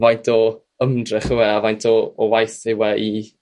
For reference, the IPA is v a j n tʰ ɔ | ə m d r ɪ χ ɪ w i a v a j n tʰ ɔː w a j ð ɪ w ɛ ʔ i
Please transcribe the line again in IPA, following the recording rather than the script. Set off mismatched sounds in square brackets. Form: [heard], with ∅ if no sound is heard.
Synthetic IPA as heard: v a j n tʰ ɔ | ə m d r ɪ χ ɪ w [ɛ] a v a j n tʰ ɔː w a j [θ] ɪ w ɛ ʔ i